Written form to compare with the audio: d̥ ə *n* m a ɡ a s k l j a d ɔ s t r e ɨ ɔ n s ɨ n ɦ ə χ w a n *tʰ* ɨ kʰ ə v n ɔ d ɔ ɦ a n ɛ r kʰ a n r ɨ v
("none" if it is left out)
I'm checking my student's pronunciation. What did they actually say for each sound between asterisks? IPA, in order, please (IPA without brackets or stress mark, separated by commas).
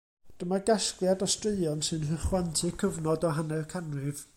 none, tʰ